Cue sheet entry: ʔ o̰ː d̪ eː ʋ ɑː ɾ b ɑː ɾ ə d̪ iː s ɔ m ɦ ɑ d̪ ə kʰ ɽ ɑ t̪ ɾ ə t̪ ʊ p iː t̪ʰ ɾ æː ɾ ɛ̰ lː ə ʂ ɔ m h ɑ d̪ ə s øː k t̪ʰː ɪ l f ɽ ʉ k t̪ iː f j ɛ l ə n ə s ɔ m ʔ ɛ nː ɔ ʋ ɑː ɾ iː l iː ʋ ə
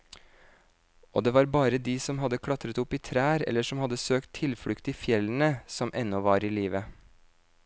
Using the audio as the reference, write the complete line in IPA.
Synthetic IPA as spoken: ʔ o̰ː d̪ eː ʋ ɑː ɾ b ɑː ɾ ə d̪ iː s ɔ m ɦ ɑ d̪ ə kʰ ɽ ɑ t̪ ɾ ə t̪ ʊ p iː t̪ʰ ɾ æː ɾ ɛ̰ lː ə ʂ ɔ m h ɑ d̪ ə s øː k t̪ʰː ɪ l f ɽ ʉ k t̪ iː f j ɛ l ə n ə s ɔ m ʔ ɛ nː ɔ ʋ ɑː ɾ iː l iː ʋ ə

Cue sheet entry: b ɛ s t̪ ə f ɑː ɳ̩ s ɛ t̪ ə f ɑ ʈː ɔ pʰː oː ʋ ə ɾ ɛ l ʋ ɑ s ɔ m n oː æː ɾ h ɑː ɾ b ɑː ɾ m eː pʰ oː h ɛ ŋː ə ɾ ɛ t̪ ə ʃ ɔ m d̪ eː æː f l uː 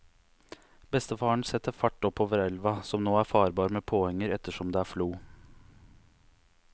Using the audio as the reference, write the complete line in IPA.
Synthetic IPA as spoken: b ɛ s t̪ ə f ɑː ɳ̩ s ɛ t̪ ə f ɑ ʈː ɔ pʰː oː ʋ ə ɾ ɛ l ʋ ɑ s ɔ m n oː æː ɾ f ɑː ɾ b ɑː ɾ m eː pʰ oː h ɛ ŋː ə ɾ ɛ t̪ ə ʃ ɔ m d̪ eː æː f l uː

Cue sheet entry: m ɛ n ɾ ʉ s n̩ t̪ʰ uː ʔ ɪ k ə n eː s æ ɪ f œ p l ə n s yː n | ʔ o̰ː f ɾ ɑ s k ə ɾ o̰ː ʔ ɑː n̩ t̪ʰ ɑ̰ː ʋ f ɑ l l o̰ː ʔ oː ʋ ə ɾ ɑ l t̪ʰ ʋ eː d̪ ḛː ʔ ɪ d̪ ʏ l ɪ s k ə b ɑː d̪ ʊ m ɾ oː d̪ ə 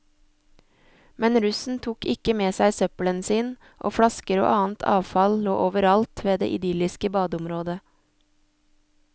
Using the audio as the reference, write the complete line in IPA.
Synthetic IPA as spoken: m ɛ n ɾ ʉ s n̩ t̪ʰ uː k ɪ k ə m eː s æ ɪ s œ p l ə n s iː n | ʔ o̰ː f ɽ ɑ s k ə ɾ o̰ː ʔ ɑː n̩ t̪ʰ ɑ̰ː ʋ f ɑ l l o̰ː ʔ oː ʋ ə ɾ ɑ l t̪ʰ ʋ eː d̪ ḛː ʔ ɪ d̪ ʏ l ɪ s k ə b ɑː d̪ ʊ m ɾ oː d̪ ə

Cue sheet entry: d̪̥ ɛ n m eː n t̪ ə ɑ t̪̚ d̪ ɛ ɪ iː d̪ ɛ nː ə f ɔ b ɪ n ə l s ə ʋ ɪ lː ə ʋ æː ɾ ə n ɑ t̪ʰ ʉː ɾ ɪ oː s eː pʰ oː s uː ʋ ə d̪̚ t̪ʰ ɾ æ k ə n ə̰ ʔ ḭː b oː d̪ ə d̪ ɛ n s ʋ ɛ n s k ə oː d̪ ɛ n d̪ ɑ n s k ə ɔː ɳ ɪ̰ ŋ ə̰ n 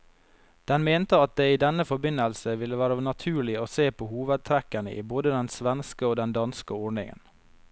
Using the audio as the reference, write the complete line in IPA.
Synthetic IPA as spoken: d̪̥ ɛ n m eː n t̪ ə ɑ t̪̚ d̪ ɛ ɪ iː d̪ ɛ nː ə f ɔ b ɪ n ə l s ə ʋ ɪ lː ə ʋ æː ɾ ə n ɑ t̪ʰ ʉː ɭ ɪ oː s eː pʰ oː h uː ʋ ə d̪̚ t̪ʰ ɾ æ k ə n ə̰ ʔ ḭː b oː d̪ ə d̪ ɛ n s ʋ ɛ n s k ə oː d̪ ɛ n d̪ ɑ n s k ə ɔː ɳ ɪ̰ ŋ ə̰ n

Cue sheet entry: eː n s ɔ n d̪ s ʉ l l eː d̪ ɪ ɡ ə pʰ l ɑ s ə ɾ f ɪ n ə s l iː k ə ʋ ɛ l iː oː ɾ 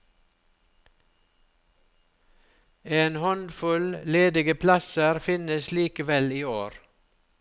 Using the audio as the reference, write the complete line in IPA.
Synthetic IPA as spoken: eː n h ɔ n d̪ f ʉ l l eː d̪ ɪ ɡ ə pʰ l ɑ s ə ɾ f ɪ n ə s l iː k ə ʋ ɛ l iː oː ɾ

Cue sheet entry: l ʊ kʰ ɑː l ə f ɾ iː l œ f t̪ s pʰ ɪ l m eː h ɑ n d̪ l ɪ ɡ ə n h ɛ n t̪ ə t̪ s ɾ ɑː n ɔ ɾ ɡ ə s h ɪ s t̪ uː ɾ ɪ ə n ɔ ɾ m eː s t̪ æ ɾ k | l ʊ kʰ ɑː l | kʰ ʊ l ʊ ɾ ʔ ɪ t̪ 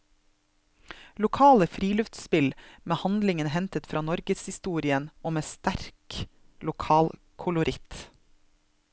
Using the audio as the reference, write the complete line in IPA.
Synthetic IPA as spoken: l ʊ kʰ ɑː l ə f ɾ iː l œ f t̪ s p ɪ l m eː h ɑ n d̪ l ɪ ŋ ə n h ɛ n t̪ ə t̪ f ɾ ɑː n ɔ ɾ ɡ ə s h ɪ s t̪ uː ɾ ɪ ə n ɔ m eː s t̪ æ ɾ k | l ʊ kʰ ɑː l | kʰ ʊ l ʊ ɾ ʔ ɪ t̪

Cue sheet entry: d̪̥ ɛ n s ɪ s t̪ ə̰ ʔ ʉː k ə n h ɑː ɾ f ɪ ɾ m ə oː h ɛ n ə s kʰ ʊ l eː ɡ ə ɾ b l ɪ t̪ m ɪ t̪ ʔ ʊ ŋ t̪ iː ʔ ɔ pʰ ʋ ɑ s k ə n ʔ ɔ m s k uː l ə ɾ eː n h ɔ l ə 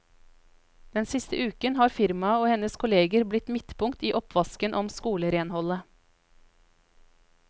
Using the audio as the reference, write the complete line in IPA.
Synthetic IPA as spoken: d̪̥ ɛ n s ɪ s t̪ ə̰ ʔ ʉː k ə n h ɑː ɾ f ɪ ɾ m ɑ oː h ɛ n ə s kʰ ʊ l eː ɡ ə ɾ b l ɪ t̪ m ɪ t̪ p ʊ ŋ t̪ iː ʔ ɔ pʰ ʋ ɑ s k ə n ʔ ɔ m s k uː l ə ɾ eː n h ɔ l ə

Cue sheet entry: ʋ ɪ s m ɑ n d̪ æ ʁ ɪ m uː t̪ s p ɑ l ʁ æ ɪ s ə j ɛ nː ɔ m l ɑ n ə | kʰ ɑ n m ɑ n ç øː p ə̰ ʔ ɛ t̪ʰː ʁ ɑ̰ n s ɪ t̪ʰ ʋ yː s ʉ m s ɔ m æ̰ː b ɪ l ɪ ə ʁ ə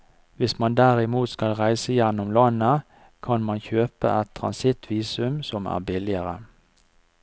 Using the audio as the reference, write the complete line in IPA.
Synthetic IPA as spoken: ʋ ɪ s m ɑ n d̪ æ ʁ ɪ m uː t̪ s k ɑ l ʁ æ ɪ s ə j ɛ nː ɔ m l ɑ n ə | kʰ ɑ n m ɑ n ç øː p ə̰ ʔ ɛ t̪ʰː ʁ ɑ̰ n s ɪ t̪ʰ ʋ iː s ʉ m s ɔ m æ̰ː b ɪ l ɪ ə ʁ ə

